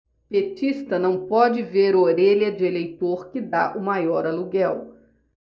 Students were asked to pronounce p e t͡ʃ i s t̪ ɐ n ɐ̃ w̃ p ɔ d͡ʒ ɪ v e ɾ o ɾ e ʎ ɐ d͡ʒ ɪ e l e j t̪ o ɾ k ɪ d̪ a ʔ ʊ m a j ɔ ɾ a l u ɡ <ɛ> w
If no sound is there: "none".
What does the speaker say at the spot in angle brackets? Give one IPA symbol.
ɛ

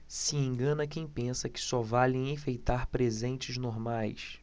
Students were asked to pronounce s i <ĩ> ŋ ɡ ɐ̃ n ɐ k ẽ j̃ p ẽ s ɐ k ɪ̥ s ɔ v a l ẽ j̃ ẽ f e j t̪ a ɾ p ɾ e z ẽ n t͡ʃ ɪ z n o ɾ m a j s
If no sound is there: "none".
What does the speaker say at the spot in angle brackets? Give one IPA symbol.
ẽ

